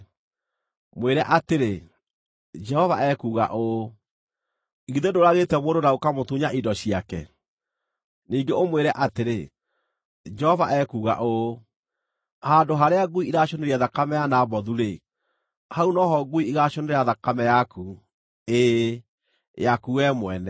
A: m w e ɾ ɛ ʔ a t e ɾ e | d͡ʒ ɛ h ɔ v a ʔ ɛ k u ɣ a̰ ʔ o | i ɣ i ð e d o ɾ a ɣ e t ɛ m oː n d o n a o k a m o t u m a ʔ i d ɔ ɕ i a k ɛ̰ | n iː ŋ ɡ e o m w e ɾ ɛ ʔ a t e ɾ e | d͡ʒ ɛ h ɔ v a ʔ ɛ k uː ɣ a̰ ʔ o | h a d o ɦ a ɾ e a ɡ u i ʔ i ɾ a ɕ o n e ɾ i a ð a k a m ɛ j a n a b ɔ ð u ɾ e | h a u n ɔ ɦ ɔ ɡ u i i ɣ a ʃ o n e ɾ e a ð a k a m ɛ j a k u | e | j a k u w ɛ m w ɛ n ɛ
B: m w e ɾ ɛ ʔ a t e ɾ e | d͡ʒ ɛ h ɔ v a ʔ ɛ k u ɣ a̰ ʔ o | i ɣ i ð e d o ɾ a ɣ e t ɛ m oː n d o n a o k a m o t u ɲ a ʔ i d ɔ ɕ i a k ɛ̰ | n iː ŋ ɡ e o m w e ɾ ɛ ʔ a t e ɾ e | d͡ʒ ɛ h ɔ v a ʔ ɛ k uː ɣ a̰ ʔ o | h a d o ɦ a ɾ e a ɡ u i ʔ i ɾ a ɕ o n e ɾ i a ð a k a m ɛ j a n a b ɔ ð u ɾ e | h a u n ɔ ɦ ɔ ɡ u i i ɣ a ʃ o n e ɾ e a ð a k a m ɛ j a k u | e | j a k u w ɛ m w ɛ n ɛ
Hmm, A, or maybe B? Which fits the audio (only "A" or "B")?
B